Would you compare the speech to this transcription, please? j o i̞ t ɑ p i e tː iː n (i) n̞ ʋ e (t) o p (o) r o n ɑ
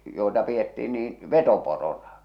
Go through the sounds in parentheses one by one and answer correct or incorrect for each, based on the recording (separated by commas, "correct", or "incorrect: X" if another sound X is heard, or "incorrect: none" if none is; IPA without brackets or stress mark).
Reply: incorrect: iː, correct, correct